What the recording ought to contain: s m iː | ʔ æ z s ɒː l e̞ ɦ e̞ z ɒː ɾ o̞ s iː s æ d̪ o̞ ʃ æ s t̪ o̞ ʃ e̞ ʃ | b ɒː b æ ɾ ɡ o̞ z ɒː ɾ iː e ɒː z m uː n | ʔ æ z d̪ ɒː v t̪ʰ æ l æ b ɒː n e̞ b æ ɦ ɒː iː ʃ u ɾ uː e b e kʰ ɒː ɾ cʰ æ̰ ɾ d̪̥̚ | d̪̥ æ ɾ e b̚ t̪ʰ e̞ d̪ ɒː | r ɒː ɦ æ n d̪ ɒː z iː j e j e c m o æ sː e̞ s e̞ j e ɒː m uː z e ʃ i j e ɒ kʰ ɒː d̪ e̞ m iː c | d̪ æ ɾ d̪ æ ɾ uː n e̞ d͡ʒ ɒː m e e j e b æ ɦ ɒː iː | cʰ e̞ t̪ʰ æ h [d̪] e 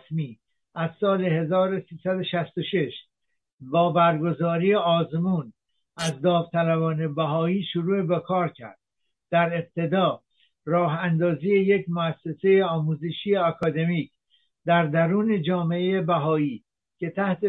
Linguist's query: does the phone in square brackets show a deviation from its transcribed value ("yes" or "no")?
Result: yes